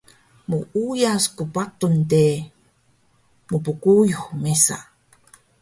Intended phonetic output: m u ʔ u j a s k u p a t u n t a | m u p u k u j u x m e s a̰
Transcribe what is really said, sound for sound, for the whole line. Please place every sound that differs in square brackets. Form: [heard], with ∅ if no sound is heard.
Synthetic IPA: m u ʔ u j a s k u p a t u n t [e] | m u p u k u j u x m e s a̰

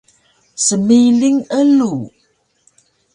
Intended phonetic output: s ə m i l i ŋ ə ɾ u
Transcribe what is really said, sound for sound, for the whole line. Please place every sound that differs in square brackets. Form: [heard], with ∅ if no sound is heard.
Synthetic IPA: s ə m i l i ŋ ə [l] u

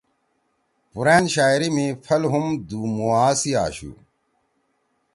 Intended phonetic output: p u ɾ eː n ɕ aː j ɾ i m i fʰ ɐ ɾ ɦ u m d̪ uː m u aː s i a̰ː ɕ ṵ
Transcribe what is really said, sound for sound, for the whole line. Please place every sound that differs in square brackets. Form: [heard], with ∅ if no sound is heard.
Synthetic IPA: p u ɾ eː n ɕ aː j ɾ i m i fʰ ɐ [l] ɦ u m d̪ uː m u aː s i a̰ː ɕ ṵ

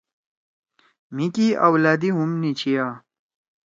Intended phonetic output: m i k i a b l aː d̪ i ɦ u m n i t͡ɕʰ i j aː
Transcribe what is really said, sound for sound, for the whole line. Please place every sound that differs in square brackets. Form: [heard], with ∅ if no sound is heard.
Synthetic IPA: m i k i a [w] l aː d̪ i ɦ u m n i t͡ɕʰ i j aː

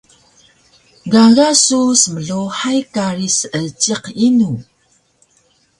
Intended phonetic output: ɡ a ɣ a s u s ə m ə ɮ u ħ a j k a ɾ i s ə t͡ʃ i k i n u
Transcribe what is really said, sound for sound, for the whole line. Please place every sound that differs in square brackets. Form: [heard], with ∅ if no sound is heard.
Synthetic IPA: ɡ a ɣ a s u s ə m ə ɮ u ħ a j k a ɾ i s ə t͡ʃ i [q] i n u

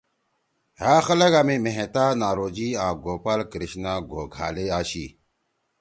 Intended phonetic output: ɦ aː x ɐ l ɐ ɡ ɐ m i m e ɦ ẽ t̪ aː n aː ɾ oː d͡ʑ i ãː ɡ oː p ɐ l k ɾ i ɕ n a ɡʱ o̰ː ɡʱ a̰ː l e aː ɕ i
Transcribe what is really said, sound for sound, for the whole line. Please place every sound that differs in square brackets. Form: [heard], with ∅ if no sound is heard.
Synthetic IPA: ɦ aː x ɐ l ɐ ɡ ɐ m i m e ɦ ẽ t̪ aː n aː ɾ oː d͡ʑ i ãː ɡ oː p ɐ l k ɾ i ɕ n a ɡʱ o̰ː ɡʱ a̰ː l e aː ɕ i

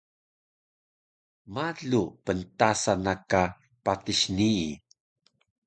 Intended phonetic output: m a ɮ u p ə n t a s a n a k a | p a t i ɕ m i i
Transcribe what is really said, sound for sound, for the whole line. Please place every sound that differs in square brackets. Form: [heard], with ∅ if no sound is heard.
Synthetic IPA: m a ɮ u p ə n t a s a n a k a | p a t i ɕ [n] i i

